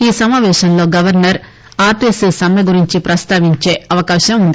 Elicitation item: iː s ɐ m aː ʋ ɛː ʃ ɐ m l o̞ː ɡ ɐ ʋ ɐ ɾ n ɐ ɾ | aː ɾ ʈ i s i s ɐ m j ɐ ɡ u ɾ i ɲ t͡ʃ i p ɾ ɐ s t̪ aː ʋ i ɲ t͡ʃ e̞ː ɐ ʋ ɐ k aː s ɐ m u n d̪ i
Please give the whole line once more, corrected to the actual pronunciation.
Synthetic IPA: iː s ɐ m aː ʋ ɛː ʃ ɐ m l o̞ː ɡ ɐ ʋ ɐ ɾ n ɐ ɾ | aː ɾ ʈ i s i s ɐ m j ɐ ɡ u ɾ i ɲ t͡ʃ i p ɾ ɐ s t̪ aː ʋ i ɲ t͡ʃ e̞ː ɐ ʋ ɐ k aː ʃ ɐ m u n d̪ i

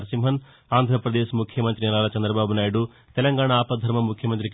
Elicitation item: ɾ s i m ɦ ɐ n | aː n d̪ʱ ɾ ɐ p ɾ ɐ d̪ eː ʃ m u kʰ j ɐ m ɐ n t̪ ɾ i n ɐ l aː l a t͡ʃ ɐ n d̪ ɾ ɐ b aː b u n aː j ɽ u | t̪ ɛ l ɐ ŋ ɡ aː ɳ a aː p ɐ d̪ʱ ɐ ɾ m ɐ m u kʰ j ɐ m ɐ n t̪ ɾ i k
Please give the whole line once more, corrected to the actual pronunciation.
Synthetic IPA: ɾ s i m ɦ ɐ n | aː n d̪ʱ ɾ ɐ p ɾ ɐ d̪ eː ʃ m u kʰ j ɐ m ɐ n t̪ ɾ i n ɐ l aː l ɐ t͡ʃ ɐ n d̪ ɾ ɐ b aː b u n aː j ɽ u | t̪ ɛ l ɐ ŋ ɡ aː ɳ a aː p ɐ d̪ʱ ɐ ɾ m ɐ m u kʰ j ɐ m ɐ n t̪ ɾ i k

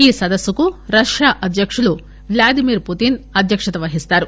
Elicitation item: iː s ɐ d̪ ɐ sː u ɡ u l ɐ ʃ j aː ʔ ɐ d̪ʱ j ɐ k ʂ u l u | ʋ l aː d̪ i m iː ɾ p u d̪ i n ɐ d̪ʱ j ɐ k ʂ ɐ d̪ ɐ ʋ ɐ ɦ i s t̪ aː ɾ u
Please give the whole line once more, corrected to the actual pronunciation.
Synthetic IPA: iː s ɐ d̪ ɐ sː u k u ɾ ɐ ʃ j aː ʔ ɐ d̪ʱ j ɐ k ʂ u l u | ʋ l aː d̪ i m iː ɾ p u t̪ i n ɐ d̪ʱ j ɐ k ʂ ɐ t̪ ɐ ʋ ɐ ɦ i s t̪ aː ɾ u

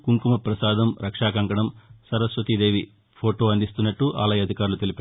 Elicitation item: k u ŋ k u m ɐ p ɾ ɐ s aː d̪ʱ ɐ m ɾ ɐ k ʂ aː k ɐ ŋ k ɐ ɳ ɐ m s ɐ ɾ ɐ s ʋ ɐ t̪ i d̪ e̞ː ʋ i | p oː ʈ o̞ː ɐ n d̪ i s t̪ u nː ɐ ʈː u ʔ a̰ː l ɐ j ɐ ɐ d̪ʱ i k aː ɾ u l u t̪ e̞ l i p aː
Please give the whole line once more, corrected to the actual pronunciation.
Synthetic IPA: k u ŋ k u m ɐ p ɾ ɐ s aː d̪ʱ ɐ m ɾ ɐ k ʂ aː k ɐ ŋ k ɐ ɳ ɐ m s ɐ ɾ ɐ s ʋ ɐ t̪ i d̪ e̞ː ʋ i | pʰ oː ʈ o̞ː ɐ n d̪ i s t̪ u nː ɐ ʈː u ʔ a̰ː l ɐ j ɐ ɐ d̪ʱ i k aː ɾ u l u t̪ e̞ l i p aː

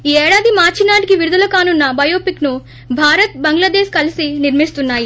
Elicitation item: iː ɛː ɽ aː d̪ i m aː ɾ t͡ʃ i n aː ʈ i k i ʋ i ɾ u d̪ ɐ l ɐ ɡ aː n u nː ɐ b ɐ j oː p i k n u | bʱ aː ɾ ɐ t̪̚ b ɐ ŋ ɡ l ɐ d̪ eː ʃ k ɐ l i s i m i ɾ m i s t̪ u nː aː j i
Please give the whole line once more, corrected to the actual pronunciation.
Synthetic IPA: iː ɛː ɽ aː d̪ i m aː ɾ t͡ʃ i n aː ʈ i k i ʋ i ɾ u d̪ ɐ l ɐ k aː n u nː ɐ b ɐ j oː p i k n u | bʱ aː ɾ ɐ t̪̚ b ɐ ŋ ɡ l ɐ d̪ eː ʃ k ɐ l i s i n i ɾ m i s t̪ u nː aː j i

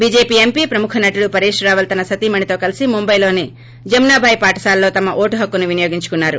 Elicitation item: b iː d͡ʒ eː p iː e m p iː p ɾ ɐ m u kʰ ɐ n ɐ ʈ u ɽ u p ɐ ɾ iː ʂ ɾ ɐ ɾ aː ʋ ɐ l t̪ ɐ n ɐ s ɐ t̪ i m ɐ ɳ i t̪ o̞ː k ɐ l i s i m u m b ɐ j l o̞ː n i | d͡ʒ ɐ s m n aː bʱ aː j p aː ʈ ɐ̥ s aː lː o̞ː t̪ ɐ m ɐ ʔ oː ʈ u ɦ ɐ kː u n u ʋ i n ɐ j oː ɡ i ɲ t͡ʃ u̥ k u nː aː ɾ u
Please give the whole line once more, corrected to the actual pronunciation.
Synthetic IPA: b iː d͡ʒ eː p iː e m p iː p ɾ ɐ m u kʰ ɐ n ɐ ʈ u ɽ u p ɐ ɾ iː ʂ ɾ ɐ ɾ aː ʋ ɐ l t̪ ɐ n ɐ s ɐ t̪ i m ɐ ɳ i t̪ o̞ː k ɐ l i s i m u m b ɐ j l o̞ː n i | d͡ʒ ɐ m n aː bʱ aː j p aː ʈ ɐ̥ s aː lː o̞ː t̪ ɐ m ɐ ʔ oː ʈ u ɦ ɐ kː u n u ʋ i n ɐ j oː ɡ i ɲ t͡ʃ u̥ k u nː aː ɾ u

